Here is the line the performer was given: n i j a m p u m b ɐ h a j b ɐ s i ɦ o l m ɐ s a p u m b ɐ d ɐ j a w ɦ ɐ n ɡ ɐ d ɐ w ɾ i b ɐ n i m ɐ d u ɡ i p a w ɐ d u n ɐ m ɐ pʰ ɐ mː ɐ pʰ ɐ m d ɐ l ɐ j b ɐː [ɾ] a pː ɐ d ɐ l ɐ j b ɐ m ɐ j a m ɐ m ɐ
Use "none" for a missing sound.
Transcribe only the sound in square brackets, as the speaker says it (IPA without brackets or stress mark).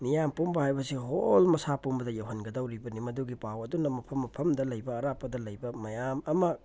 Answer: ɾ